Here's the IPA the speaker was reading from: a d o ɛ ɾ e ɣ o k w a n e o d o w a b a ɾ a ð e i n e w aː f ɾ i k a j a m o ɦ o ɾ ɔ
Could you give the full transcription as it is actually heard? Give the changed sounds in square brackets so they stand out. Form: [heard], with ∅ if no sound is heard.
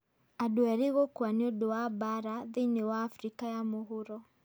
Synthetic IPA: a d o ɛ ɾ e ɣ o k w a n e o d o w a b a ɾ a ð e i n e w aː f ɾ i k a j a m o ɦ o ɾ ɔ